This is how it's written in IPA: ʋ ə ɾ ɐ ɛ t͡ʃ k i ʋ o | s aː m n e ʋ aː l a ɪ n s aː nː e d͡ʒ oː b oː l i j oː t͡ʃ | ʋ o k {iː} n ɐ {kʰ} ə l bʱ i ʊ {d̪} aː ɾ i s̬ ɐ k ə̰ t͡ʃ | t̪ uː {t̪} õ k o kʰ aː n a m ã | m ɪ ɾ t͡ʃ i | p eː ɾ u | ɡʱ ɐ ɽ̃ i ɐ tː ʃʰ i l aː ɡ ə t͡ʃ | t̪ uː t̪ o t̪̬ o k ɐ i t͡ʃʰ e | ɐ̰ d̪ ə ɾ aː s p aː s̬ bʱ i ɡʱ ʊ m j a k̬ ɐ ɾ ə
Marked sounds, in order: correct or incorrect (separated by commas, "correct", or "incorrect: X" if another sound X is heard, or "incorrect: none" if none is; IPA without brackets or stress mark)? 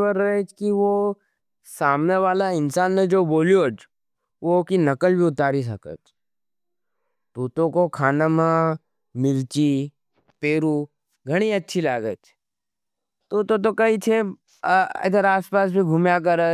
incorrect: i, incorrect: k, incorrect: t̪, correct